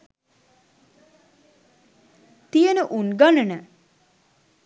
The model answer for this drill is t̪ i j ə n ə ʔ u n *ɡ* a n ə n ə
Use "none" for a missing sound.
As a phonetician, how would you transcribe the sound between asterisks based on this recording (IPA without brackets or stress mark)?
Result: ɡ